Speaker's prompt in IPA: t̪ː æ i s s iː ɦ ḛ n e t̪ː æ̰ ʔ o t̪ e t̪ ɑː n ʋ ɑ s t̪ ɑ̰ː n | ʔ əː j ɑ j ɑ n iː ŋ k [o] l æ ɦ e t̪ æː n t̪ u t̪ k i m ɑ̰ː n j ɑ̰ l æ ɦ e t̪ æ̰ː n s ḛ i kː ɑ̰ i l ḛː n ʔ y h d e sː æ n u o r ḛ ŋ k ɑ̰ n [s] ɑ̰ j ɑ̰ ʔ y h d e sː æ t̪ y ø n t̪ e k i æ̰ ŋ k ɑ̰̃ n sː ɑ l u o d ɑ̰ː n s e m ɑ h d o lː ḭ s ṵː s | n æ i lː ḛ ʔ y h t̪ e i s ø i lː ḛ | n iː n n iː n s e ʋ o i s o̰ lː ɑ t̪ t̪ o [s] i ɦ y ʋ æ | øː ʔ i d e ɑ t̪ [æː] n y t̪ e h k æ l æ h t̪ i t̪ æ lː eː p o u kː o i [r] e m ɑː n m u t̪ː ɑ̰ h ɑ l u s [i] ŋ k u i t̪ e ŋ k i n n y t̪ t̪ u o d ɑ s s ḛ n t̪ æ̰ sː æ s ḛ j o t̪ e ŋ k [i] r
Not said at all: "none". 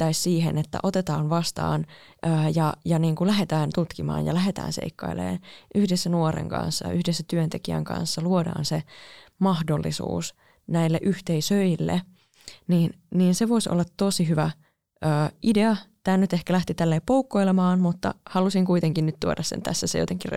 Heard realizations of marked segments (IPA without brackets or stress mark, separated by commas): u, sː, s, æː, l, i, i